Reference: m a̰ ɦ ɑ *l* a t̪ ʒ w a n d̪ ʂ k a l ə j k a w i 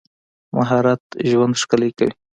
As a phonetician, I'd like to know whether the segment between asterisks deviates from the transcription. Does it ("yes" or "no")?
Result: yes